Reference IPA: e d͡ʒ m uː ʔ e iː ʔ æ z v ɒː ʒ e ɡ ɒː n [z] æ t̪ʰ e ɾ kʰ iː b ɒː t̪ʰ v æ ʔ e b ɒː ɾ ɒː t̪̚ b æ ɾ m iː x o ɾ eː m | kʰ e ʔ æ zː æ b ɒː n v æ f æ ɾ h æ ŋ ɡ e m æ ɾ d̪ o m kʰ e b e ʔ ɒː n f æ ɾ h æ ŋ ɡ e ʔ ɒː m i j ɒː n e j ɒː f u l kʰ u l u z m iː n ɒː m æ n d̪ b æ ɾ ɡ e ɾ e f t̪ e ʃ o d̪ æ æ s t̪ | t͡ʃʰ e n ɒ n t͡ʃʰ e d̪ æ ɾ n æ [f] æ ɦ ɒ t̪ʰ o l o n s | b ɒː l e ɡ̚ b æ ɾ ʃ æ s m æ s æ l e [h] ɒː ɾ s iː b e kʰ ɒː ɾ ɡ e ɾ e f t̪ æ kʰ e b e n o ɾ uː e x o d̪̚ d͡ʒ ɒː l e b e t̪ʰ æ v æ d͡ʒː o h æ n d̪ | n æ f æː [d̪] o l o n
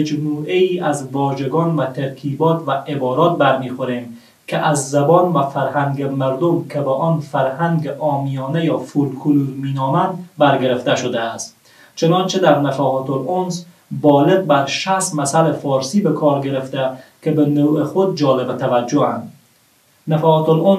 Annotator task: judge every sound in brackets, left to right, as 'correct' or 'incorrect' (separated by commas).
incorrect, correct, incorrect, incorrect